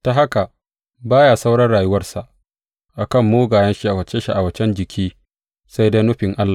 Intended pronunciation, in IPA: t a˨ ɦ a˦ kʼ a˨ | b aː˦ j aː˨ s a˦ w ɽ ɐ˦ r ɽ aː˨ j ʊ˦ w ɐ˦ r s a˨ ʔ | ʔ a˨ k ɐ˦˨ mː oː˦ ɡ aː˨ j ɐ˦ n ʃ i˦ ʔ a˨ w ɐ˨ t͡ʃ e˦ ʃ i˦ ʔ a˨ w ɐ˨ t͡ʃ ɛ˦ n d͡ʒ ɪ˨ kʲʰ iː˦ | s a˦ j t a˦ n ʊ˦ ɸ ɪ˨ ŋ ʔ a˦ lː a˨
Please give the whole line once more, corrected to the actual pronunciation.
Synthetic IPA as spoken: t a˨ ɦ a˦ k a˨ | b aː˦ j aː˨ s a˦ w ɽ ɐ˦ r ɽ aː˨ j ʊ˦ w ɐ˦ r s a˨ ʔ | ʔ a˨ k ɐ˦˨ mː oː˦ ɡ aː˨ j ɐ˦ n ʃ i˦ ʔ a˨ w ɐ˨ t͡ʃ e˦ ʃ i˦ ʔ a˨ w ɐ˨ t͡ʃ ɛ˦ n d͡ʒ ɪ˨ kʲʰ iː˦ | s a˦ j d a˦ n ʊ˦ ɸ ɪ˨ ŋ ʔ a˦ lː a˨